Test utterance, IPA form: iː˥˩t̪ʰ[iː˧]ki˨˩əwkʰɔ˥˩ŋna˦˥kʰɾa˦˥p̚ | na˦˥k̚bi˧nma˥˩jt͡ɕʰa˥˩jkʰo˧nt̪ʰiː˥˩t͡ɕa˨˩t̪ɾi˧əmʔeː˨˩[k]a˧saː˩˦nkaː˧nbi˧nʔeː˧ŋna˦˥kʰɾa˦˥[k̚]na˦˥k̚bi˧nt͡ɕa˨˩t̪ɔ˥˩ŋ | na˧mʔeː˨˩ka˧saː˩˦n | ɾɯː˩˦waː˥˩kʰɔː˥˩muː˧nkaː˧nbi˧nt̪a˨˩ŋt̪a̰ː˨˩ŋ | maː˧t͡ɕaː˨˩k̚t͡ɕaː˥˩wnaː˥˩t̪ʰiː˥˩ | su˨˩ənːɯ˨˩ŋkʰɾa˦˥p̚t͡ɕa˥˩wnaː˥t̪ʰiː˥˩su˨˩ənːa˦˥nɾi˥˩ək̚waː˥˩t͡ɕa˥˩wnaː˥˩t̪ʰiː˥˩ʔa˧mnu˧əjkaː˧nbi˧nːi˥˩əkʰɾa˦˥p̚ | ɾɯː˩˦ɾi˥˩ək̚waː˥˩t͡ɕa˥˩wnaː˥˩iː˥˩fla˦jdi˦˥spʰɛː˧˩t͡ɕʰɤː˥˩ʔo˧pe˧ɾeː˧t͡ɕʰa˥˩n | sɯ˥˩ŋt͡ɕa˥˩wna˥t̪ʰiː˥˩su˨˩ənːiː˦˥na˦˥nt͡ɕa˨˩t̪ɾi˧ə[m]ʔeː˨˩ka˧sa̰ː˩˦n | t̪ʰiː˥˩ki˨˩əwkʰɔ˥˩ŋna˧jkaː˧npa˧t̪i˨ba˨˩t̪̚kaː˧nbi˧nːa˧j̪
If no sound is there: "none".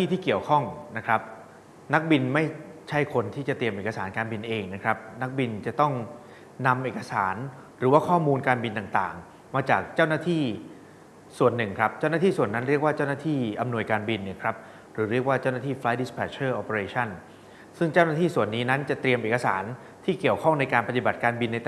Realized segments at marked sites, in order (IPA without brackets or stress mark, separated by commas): iː˥˩, k, p̚, m